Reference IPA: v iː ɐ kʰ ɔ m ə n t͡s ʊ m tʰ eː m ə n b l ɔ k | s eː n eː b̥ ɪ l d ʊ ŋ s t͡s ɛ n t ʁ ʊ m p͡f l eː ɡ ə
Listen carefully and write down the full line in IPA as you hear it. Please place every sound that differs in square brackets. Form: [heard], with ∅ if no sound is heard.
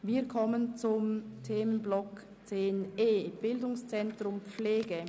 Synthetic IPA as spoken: v iː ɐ kʰ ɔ m ə n t͡s ʊ m tʰ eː m ə n b l ɔ k | [t͡s] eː n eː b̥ ɪ l d ʊ ŋ s t͡s ɛ n t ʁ ʊ m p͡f l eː ɡ ə